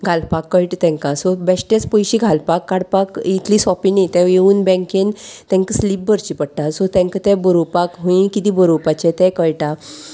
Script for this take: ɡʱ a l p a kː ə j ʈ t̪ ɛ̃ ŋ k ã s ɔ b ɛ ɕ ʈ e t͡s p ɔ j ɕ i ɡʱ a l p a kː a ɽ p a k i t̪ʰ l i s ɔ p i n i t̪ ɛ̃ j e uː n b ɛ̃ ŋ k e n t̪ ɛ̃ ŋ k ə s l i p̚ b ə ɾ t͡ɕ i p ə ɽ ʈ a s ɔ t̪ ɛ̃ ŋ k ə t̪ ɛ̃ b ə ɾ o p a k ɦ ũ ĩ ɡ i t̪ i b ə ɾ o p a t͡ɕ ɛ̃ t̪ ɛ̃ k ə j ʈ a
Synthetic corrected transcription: ɡʱ a l p a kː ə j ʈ t̪ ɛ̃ ŋ k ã s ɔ b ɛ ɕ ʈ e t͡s p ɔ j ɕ i ɡʱ a l p a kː a ɽ p a k i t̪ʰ l i s ɔ p i n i t̪ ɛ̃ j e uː n b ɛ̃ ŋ k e n t̪ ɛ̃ ŋ k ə s l i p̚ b ə ɾ t͡ɕ i p ə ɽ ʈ a s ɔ t̪ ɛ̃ ŋ k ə t̪ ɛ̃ b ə ɾ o p a k ɦ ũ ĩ k i t̪ i b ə ɾ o p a t͡ɕ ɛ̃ t̪ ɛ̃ k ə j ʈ a